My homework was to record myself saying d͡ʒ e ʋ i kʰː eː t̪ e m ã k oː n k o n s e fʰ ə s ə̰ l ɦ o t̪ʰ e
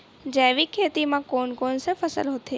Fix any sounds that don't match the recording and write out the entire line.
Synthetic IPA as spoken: d͡ʒ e ʋ i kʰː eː t̪ i m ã k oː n k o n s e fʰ ə s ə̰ l ɦ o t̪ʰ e